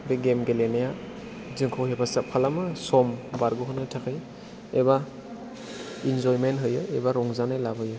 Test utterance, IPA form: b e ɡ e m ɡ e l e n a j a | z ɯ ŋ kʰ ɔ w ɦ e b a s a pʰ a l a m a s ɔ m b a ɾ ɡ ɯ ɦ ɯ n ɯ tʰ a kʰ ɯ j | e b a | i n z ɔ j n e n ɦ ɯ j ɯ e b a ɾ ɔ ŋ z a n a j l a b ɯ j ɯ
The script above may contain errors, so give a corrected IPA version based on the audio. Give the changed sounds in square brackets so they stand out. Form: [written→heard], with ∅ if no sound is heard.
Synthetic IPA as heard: b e ɡ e m ɡ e l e n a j a | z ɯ ŋ kʰ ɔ w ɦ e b a s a pʰ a l a m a s ɔ m b a ɾ ɡ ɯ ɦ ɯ n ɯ tʰ a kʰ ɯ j | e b a | i n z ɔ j [n→m] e n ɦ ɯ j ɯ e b a ɾ ɔ ŋ z a n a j l a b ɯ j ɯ